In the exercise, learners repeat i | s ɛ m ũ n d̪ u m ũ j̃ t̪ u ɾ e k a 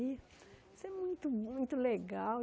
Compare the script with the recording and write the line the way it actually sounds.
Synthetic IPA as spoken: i | s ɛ m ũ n t̪ u m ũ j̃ t̪ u l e ɡ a

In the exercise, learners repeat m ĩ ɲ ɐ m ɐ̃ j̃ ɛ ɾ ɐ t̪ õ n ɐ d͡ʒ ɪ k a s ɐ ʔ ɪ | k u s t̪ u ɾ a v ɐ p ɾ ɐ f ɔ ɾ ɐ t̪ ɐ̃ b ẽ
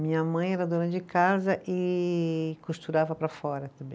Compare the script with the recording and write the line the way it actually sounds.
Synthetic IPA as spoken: m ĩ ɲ ɐ m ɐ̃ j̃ ɛ ɾ ɐ d̪ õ n ɐ d͡ʒ ɪ k a z ɐ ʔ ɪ | k u s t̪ u ɾ a v ɐ p ɾ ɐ f ɔ ɾ ɐ t̪ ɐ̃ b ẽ

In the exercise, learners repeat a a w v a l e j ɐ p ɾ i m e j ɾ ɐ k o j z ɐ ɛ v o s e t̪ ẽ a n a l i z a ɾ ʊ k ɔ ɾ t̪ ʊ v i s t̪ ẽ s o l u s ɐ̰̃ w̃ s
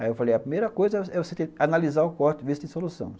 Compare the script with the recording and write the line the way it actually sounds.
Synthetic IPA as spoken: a e w f a l e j ɐ p ɾ i m e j ɾ ɐ k o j z ɐ ɛ v o s e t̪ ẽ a n a l i z a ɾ ʊ k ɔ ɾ t̪ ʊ v i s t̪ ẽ s o l u s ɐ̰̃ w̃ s

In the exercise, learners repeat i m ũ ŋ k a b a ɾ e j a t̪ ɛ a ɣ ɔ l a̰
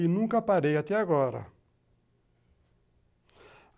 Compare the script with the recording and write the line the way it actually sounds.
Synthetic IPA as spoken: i n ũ ŋ k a p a ɾ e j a t̪ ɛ a ɣ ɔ ɾ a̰

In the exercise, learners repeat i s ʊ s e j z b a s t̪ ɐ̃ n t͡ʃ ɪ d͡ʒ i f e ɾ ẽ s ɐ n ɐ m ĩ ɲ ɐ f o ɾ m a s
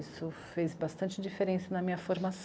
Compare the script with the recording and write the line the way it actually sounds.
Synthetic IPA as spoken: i s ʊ f e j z b a s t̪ ɐ̃ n t͡ʃ ɪ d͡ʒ i f e ɾ ẽ s ɐ n ɐ m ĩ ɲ ɐ f o ɾ m a s

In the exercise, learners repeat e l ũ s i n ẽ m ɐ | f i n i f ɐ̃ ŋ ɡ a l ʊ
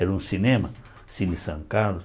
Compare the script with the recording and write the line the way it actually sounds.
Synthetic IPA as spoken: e ɾ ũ s i n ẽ m ɐ | s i n i s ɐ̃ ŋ k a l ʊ

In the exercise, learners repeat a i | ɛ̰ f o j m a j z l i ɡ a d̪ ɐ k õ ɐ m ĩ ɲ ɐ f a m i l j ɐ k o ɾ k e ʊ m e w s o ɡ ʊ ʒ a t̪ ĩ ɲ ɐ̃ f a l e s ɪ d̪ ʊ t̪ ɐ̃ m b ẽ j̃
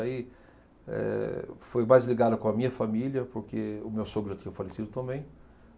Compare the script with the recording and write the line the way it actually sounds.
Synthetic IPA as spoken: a i | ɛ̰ f o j m a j z l i ɡ a d̪ ɐ k õ ɐ m ĩ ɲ ɐ f a m i l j ɐ p o ɾ k e ʊ m e w s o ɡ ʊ ʒ a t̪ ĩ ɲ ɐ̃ f a l e s i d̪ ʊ t̪ ɐ̃ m b ẽ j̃

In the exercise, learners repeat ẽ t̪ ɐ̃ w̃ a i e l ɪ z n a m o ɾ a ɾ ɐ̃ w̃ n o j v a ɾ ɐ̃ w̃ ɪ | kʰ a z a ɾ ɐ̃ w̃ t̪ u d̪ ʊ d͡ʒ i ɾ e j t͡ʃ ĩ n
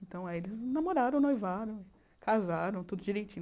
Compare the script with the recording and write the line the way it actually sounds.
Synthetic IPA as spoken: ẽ t̪ ɐ̃ w̃ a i e l ɪ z n a m o ɾ a ɾ ɐ̃ w̃ n o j v a ɾ ɐ̃ w̃ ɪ | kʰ a z a ɾ ɐ̃ w̃ t̪ u d̪ ʊ d͡ʒ i ɾ e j t͡ʃ ĩ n

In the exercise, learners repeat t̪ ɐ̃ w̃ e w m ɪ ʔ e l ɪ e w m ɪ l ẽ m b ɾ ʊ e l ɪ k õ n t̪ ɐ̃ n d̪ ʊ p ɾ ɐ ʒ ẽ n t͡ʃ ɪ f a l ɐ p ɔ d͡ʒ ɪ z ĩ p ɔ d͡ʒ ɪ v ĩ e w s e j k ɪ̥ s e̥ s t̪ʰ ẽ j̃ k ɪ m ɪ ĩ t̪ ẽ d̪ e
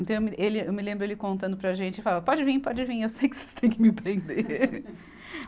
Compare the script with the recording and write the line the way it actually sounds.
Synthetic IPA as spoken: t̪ ɐ̃ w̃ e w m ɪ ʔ e l ɪ e w m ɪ l ẽ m b ɾ ʊ e l ɪ k õ n t̪ ɐ̃ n d̪ ʊ p ɾ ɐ ʒ ẽ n t͡ʃ ɪ f a l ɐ p ɔ d͡ʒ ɪ v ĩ p ɔ d͡ʒ ɪ v ĩ e w s e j k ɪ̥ s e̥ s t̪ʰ ẽ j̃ k ɪ m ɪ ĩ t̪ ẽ d̪ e

